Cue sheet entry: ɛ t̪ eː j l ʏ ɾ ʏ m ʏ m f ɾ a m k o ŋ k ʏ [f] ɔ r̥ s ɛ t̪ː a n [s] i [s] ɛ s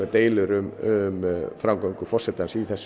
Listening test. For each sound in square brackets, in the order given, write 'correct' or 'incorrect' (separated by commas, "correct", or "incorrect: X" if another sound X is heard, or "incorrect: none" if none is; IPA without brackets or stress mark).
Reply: correct, correct, incorrect: θ